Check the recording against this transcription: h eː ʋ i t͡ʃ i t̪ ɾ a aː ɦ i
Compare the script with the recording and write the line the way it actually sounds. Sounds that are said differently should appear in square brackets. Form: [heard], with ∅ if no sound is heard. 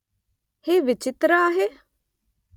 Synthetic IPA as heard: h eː ʋ [ɪ] t͡ʃ [ɪ] t̪ ɾ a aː ɦ [e]